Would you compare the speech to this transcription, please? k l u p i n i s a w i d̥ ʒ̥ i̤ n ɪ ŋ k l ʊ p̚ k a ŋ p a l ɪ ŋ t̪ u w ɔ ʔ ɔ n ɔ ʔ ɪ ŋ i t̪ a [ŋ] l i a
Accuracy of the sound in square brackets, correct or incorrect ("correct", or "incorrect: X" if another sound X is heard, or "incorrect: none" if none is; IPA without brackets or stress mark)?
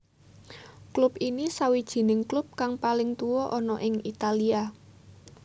incorrect: none